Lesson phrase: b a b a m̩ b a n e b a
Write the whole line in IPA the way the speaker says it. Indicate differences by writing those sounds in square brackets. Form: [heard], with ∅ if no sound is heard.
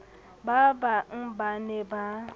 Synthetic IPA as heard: b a b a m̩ b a n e b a

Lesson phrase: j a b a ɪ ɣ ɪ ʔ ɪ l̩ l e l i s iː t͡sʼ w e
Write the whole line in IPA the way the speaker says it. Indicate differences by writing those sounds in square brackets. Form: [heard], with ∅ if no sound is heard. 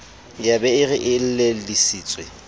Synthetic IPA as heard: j a b [ɛ] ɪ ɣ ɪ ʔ ɪ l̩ l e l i s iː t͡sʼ w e

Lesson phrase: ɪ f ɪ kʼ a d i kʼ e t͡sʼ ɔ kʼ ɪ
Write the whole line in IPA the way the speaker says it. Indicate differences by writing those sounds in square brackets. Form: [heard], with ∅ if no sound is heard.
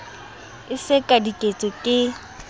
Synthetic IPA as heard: ɪ [s] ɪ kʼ a d i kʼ e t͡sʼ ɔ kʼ ɪ

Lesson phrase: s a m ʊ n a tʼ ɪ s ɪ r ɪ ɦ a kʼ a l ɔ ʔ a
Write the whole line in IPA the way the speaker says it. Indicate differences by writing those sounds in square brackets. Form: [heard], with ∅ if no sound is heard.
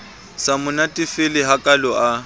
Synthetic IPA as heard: s a m ʊ n a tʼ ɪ [f] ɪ [l] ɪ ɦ a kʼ a l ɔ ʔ a

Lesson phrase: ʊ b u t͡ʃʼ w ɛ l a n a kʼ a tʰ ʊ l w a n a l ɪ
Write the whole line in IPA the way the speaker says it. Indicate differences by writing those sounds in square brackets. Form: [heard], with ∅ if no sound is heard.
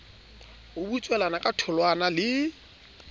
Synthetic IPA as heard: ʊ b u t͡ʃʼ w ɛ l a n a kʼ a tʰ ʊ l w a n a l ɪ

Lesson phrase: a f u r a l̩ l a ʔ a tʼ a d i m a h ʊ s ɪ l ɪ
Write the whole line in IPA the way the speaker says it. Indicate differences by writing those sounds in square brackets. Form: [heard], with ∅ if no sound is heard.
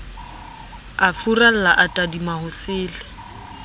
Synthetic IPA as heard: a f u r a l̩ l a ʔ a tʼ a d i m a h ʊ s [ɪː] l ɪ

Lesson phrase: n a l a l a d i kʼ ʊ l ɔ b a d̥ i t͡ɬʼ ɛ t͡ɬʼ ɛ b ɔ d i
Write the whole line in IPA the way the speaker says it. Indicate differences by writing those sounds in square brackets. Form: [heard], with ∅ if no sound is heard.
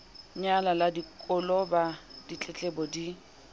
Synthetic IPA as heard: [ɲ] a l a l a d i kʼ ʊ l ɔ b a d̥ i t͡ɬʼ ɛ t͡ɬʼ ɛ b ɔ d i

